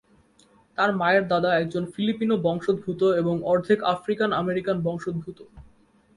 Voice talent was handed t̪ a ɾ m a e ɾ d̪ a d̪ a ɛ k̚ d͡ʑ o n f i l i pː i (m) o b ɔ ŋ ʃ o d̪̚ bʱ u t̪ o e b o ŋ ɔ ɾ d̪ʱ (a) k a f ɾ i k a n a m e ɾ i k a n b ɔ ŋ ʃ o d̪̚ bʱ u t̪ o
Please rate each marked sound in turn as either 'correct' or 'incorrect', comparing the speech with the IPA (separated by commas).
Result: incorrect, incorrect